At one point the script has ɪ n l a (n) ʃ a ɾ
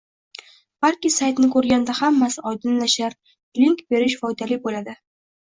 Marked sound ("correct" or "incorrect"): incorrect